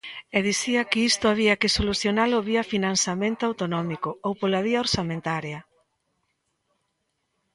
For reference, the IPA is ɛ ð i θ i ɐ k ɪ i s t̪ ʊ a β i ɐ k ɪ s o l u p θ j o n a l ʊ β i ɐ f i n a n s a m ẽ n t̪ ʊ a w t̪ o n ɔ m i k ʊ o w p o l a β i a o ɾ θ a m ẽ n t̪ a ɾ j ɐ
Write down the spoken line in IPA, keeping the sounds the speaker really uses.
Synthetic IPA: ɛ ð i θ i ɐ k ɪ i s t̪ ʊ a β i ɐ k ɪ s o l u θ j o n a l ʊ β i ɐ f i n a n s a m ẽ n t̪ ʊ a w t̪ o n ɔ m i k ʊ o w p o l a β i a o ɾ s a m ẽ n t̪ a ɾ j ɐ